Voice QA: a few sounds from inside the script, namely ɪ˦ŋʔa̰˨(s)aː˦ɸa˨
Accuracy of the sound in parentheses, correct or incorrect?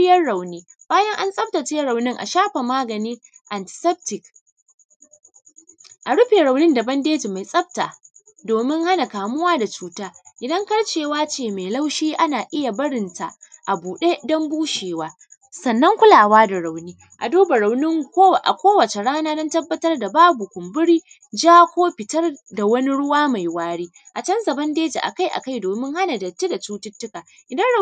incorrect